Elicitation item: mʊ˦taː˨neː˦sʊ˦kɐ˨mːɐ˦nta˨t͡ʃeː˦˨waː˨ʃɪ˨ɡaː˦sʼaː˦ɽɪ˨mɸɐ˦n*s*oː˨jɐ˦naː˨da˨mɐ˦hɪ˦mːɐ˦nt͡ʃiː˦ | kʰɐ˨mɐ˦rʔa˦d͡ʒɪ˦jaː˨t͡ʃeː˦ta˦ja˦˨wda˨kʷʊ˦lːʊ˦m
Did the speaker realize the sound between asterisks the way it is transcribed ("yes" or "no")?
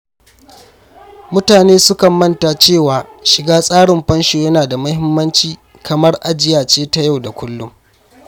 no